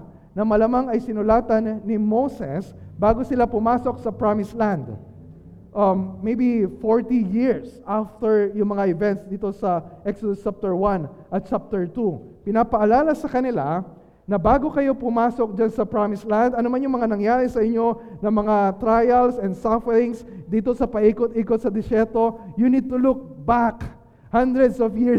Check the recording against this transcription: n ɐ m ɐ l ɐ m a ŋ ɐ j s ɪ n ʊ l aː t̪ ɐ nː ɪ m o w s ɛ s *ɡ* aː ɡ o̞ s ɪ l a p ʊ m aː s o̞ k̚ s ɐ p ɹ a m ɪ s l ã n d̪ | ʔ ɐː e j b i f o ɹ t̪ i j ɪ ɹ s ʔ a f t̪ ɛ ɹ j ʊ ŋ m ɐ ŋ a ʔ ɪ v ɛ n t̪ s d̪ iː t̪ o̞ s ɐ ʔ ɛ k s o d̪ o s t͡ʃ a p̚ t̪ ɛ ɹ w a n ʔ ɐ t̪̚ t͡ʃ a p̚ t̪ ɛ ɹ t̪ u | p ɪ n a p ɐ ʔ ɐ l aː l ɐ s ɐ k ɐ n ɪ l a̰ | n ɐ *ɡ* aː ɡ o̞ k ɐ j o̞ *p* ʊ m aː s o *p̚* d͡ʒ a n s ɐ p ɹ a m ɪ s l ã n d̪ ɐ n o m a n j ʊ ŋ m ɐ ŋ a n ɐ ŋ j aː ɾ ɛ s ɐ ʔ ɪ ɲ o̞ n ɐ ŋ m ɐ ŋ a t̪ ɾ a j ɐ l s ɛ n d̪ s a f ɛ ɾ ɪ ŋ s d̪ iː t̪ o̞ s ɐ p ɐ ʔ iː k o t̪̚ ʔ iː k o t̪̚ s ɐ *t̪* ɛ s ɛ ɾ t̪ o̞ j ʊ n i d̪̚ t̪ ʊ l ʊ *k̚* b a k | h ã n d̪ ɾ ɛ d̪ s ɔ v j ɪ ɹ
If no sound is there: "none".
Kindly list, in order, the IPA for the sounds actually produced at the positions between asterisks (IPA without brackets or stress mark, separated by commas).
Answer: b, b, p, k̚, d̪, k̚